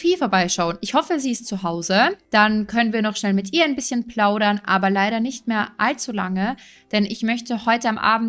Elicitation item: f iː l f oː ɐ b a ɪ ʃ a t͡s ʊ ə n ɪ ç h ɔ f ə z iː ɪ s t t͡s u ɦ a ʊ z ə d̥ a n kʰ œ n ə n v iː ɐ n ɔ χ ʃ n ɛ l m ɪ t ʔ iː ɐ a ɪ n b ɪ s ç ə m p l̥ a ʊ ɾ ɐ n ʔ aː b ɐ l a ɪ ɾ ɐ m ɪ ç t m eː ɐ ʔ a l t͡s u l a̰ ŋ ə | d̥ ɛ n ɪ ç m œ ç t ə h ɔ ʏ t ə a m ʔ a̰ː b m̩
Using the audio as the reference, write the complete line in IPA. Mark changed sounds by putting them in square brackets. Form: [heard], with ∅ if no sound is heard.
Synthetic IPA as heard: f iː l f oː ɐ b a ɪ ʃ a [∅] ʊ ə n ɪ ç h ɔ f ə z iː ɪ s t t͡s u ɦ a ʊ z ə d̥ a n kʰ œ n ə n v iː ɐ n ɔ χ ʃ n ɛ l m ɪ t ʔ iː ɐ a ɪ n b ɪ s ç ə [n] p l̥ a ʊ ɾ ɐ n ʔ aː b ɐ l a ɪ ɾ ɐ [n] ɪ ç t m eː ɐ ʔ a l t͡s u l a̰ ŋ ə | d̥ ɛ n ɪ ç m œ ç t ə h ɔ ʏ t ə a m ʔ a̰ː b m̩

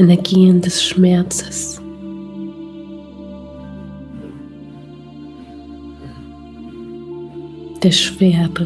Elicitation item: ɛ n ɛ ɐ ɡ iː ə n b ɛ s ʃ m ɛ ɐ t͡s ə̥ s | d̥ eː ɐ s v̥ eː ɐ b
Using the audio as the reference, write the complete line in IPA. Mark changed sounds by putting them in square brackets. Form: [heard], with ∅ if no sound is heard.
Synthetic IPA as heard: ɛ n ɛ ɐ ɡ iː ə n [d] ɛ s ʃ m ɛ ɐ t͡s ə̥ s | d̥ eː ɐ [ʃ] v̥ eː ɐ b

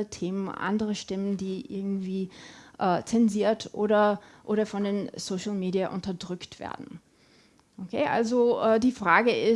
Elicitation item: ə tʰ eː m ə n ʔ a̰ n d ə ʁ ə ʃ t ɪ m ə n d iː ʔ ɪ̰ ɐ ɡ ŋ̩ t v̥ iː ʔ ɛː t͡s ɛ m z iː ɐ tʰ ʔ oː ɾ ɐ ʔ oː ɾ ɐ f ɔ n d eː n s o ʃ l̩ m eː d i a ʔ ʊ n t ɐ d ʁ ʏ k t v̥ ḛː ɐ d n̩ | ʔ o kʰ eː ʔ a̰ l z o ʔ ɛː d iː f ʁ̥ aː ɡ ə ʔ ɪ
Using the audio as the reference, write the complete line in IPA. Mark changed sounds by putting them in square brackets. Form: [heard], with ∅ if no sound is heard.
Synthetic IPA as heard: ə tʰ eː m ə n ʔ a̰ n d ə ʁ ə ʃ t ɪ m ə n d iː ʔ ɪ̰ ɐ ɡ ŋ̩ t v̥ iː ʔ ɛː t͡s ɛ [n] z iː ɐ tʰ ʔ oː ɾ ɐ ʔ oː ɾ ɐ f ɔ n d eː n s o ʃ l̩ m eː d i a ʔ ʊ n t ɐ d ʁ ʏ k t v̥ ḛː ɐ d n̩ | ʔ o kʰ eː ʔ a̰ l z o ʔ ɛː d iː f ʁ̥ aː ɡ ə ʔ ɪ

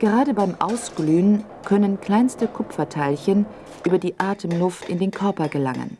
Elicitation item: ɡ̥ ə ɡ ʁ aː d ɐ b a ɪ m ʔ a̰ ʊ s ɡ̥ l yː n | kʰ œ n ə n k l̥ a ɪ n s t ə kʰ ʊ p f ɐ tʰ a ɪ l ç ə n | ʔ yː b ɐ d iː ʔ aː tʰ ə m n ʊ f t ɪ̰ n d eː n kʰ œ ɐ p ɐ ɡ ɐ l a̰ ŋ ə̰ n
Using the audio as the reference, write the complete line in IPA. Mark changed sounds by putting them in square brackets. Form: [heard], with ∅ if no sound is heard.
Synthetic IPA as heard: ɡ̥ ə [∅] ʁ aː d [ə] b a ɪ m ʔ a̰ ʊ s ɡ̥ l yː n | kʰ œ n ə n k l̥ a ɪ n s t ə kʰ ʊ p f ɐ tʰ a ɪ l ç ə n | ʔ yː b ɐ d iː ʔ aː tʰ ə m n ʊ f t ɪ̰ n d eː n kʰ œ ɐ p ɐ ɡ [ə] l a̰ ŋ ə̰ n

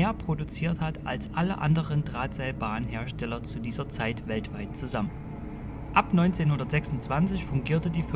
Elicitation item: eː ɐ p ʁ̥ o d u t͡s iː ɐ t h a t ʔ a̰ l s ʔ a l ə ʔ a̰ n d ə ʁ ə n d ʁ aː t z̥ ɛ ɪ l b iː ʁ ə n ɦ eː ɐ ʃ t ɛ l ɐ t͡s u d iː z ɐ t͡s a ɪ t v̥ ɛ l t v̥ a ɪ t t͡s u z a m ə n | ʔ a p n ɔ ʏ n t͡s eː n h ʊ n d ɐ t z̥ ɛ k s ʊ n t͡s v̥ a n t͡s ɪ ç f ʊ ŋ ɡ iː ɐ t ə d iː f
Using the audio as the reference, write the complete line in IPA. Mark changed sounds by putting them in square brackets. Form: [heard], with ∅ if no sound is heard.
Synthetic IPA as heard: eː ɐ p ʁ̥ o d u t͡s iː ɐ t h a t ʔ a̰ l s ʔ a l ə ʔ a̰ n d ə ʁ ə n d ʁ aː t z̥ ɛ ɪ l b [aː] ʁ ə n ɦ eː ɐ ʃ t ɛ l ɐ t͡s u d iː z ɐ t͡s a ɪ t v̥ ɛ l t v̥ a ɪ t t͡s u z a m ə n | ʔ a p n ɔ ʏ n t͡s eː n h ʊ n d ɐ t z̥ ɛ k s ʊ n t͡s v̥ a n t͡s ɪ ç f ʊ ŋ ɡ iː ɐ t ə d iː f

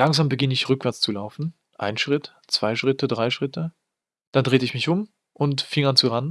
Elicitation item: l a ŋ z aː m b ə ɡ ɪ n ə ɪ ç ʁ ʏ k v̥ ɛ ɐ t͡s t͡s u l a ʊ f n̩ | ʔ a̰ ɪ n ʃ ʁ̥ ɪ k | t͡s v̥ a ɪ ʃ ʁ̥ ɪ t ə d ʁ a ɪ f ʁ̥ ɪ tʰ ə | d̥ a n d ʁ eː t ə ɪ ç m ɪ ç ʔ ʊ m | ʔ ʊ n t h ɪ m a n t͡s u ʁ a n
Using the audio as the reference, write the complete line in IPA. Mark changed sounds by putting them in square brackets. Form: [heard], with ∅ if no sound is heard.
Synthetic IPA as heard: l a ŋ z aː m b ə ɡ ɪ n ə ɪ ç ʁ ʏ k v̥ ɛ ɐ t͡s t͡s u l a ʊ f n̩ | ʔ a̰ ɪ n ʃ ʁ̥ ɪ [t] | t͡s v̥ a ɪ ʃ ʁ̥ ɪ t ə d ʁ a ɪ [ʃ] ʁ̥ ɪ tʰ ə | d̥ a n d ʁ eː t ə ɪ ç m ɪ ç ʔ ʊ m | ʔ ʊ n t [f] ɪ [ŋ] a n t͡s u ʁ a n

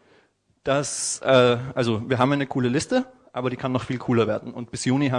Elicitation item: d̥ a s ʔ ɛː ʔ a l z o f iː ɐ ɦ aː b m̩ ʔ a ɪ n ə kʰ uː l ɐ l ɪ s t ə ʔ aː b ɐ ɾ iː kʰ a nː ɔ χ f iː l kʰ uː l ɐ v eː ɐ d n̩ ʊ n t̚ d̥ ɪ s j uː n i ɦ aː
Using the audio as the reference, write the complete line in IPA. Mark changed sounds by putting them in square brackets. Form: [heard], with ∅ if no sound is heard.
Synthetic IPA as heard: d̥ a s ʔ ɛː ʔ a l z o [v] iː ɐ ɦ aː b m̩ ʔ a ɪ n ə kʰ uː l [ə] l ɪ s t ə ʔ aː b ɐ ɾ iː kʰ a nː ɔ χ f iː l kʰ uː l ɐ v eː ɐ d n̩ ʊ n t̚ [b̥] ɪ s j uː n i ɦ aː

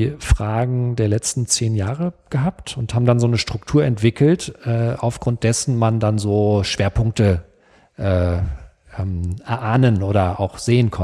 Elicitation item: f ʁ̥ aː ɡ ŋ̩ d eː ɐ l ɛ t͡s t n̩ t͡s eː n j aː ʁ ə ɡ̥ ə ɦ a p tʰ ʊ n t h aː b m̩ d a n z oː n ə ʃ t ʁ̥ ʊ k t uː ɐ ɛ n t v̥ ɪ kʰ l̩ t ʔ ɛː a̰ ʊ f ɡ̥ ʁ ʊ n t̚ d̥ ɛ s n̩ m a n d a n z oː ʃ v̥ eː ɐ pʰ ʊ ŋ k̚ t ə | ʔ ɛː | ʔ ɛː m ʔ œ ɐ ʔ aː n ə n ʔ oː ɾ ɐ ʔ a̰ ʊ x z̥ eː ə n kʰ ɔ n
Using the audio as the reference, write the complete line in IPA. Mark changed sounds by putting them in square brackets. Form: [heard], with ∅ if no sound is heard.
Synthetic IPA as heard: f ʁ̥ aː ɡ ŋ̩ d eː ɐ l ɛ t͡s t n̩ t͡s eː n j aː ʁ ə ɡ̥ ə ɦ a p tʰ ʊ n t h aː b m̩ d a n z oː n ə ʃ t ʁ̥ ʊ k [tʰ] uː ɐ ɛ n t v̥ ɪ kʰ l̩ t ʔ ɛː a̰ ʊ f ɡ̥ ʁ ʊ n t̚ d̥ ɛ s n̩ m a n d a n z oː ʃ v̥ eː ɐ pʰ ʊ ŋ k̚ t ə | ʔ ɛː | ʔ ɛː m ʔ [ɛ] ɐ ʔ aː n ə n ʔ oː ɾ ɐ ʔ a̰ ʊ x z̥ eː ə n kʰ ɔ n

